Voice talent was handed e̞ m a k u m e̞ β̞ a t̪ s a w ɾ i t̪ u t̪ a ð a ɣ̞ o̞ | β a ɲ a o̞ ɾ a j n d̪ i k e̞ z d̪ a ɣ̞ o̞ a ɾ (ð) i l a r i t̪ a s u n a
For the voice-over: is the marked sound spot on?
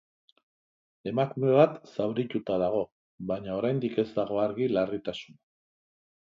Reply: no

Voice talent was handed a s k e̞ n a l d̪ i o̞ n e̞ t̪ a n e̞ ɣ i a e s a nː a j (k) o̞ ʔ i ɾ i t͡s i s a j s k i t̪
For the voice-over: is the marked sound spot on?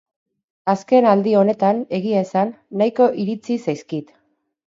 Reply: yes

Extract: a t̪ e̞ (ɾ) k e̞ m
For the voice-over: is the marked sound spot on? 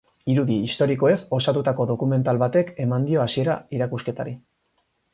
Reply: no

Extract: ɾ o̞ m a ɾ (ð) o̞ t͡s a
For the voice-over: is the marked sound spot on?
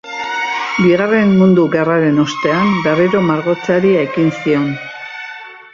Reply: no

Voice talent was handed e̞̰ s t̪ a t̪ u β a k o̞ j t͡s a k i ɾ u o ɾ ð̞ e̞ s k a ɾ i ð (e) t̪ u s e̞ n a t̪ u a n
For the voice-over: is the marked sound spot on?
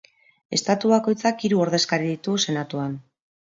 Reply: no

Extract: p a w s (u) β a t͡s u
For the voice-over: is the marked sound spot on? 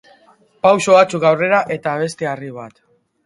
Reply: no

